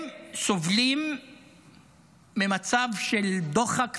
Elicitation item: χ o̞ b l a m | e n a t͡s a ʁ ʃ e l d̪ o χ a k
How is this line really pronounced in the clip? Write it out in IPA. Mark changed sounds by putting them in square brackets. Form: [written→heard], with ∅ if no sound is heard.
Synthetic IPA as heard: [χ→s] o̞ [b→v] l [a→i] m | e [n→m] a t͡s a [ʁ→v] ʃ e l d̪ o χ a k

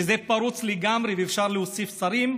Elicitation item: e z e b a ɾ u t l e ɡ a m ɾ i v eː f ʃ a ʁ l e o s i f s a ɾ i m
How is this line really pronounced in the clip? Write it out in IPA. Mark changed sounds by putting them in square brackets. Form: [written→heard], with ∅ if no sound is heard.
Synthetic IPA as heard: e z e [b→p] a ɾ u [t→t͡s] l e ɡ a m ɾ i v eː f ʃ a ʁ l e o s i f s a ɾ i m

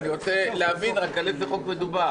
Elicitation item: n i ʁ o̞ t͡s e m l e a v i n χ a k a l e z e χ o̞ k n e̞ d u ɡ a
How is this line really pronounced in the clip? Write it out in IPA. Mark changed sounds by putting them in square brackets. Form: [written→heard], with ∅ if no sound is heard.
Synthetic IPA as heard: n i ʁ o̞ t͡s e [m→∅] l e a v i n [χ→ʁ] a k a l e z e χ o̞ k [n→m] e̞ d u [ɡ→b] a

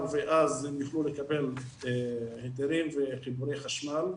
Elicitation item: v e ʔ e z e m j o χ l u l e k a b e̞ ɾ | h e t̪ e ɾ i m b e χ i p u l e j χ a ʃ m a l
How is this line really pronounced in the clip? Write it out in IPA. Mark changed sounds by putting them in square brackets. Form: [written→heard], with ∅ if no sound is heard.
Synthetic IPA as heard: v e ʔ [e→a] z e m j [o→u] χ l u l e k a b e̞ [ɾ→l] | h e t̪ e ɾ i m [b→v] e χ i [p→b] u [l→ɾ] e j χ a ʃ m a l

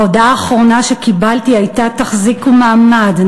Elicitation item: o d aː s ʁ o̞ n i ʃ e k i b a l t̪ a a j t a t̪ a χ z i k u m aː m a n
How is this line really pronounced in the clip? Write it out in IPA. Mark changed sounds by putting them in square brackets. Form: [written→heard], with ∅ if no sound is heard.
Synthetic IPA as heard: o d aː [s→χ] ʁ o̞ n [i→a] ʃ e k i b a l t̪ [a→i] a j t a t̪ a χ z i k u m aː m a [n→d]

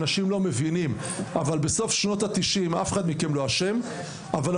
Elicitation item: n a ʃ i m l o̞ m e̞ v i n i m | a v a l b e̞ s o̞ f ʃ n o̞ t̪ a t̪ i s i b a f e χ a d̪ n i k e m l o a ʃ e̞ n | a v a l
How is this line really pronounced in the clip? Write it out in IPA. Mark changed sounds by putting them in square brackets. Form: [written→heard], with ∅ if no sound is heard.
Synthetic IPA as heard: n a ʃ i m l o̞ m e̞ v i n i m | a v a l b e̞ s o̞ f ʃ n o̞ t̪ a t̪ i [s→ʃ] i [b→m] a f e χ a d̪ [n→m] i k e m l o a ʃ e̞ [n→m] | a v a l

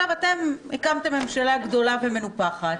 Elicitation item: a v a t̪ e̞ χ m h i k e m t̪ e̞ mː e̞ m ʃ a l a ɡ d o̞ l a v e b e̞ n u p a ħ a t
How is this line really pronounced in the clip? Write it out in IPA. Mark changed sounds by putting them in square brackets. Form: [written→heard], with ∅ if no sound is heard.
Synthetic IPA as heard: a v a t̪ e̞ [χ→∅] m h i k [e→a] m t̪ e̞ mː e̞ m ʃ a l a ɡ d o̞ l a v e [b→m] e̞ n u p a [ħ→χ] a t

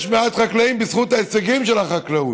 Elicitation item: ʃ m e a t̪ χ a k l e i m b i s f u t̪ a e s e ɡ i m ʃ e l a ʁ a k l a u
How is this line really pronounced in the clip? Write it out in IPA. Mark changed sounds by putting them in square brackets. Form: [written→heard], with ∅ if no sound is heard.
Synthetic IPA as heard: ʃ m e a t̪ χ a k l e i m b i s [f→χ] u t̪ a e s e ɡ i m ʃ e l a [ʁ→χ] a k l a u

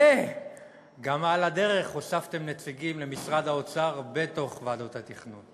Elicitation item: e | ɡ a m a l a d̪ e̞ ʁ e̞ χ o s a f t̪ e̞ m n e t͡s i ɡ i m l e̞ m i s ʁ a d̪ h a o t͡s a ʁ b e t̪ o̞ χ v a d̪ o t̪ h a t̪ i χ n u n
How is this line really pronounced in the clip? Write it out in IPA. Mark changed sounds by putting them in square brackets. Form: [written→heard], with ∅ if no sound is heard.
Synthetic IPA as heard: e | ɡ a m a l a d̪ e̞ ʁ e̞ χ o s a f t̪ e̞ m n e t͡s i ɡ i m l e̞ m i s ʁ a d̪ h a o t͡s a ʁ b e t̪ o̞ χ v a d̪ o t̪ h a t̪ i χ n u n

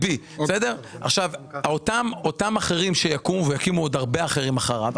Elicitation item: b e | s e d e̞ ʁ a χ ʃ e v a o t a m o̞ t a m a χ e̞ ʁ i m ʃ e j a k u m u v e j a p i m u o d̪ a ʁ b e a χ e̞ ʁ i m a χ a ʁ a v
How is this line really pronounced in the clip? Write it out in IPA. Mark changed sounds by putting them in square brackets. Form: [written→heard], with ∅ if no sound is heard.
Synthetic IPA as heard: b [e→i] | s e d e̞ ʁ a χ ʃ [e→a] v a o t a m o̞ t a m a χ e̞ ʁ i m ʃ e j a k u m u v e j a [p→k] i m u o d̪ a ʁ b e a χ e̞ ʁ i m a χ a ʁ a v

